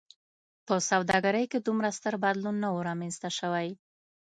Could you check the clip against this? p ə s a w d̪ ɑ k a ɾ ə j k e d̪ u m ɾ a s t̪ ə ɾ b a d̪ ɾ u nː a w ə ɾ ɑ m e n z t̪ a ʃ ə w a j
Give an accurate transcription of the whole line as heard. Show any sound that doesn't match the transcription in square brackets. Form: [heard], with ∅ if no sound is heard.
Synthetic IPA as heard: p ə s a w d̪ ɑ [ɡ] a ɾ ə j k e d̪ u m ɾ a s t̪ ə ɾ b a d̪ [l] u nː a w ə ɾ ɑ m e n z t̪ a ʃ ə w a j